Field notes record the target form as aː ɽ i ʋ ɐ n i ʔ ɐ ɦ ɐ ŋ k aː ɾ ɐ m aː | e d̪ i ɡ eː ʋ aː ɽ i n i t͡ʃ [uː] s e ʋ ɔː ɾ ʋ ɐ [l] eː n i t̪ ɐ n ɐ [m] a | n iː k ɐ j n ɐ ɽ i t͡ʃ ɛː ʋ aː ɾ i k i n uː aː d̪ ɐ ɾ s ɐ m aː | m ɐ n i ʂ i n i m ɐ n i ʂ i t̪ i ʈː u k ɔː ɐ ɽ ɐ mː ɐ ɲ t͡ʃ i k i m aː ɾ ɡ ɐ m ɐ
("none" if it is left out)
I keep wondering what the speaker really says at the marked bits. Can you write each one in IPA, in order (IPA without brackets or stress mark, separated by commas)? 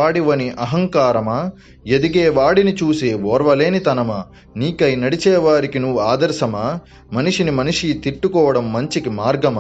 uː, l, m